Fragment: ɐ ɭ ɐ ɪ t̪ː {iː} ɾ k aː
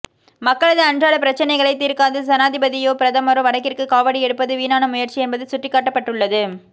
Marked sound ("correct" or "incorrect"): correct